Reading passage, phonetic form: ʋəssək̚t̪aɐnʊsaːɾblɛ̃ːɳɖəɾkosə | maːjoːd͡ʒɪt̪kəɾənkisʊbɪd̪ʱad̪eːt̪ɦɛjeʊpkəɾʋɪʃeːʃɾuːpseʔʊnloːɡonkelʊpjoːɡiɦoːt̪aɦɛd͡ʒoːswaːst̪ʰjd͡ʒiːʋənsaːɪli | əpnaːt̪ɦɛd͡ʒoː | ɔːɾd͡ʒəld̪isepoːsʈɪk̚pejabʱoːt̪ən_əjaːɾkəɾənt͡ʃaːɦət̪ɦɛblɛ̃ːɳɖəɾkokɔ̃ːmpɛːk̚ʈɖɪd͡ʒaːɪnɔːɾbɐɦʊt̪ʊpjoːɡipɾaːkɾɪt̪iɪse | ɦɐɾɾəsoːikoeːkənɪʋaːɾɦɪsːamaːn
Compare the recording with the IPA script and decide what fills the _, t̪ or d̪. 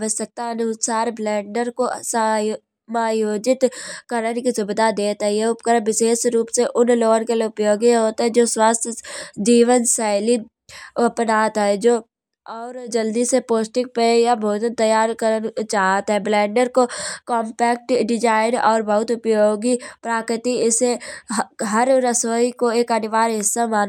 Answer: t̪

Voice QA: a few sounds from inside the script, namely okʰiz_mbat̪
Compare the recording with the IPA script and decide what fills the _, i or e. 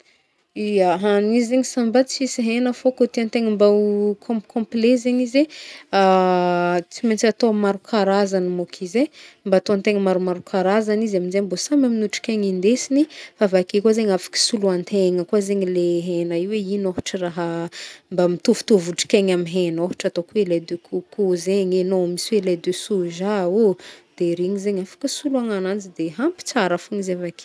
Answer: e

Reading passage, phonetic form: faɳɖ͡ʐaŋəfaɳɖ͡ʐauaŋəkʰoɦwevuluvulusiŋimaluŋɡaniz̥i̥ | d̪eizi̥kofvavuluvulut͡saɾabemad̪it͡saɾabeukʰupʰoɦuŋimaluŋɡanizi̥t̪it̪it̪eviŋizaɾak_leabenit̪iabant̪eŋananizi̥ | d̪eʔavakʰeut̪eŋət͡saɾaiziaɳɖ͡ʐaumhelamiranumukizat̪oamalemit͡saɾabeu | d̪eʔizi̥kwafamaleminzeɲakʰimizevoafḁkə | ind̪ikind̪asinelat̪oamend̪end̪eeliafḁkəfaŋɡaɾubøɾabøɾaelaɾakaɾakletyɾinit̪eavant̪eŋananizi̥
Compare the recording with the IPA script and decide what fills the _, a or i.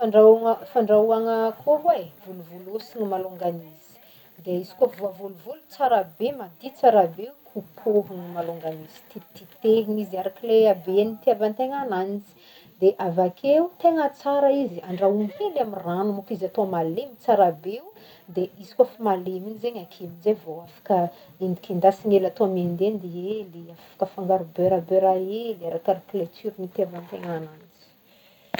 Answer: i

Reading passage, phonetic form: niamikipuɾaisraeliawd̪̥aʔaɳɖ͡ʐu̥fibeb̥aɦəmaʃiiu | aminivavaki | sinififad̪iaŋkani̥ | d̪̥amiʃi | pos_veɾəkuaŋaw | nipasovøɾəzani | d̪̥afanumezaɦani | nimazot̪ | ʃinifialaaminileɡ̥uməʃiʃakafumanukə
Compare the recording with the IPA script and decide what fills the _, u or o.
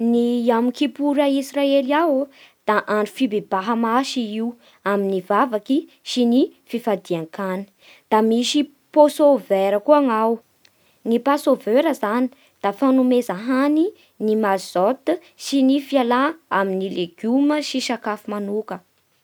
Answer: o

